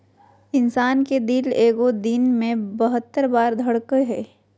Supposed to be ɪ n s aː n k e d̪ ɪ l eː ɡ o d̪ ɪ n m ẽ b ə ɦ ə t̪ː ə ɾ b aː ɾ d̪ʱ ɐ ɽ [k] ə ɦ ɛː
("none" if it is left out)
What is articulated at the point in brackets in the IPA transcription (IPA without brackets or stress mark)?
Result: k